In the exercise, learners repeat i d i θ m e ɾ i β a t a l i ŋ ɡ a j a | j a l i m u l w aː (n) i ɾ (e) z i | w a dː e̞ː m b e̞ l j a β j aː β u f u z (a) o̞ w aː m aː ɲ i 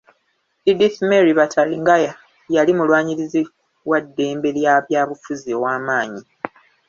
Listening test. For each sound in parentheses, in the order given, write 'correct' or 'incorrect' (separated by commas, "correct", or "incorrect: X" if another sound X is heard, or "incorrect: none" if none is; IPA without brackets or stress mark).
incorrect: ɲ, incorrect: i, incorrect: i